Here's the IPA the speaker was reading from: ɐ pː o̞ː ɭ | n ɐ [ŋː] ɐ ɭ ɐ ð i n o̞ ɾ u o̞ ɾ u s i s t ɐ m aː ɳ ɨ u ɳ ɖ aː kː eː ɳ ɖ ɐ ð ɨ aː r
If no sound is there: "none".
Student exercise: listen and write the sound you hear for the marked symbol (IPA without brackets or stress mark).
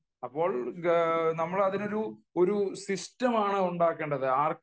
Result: mː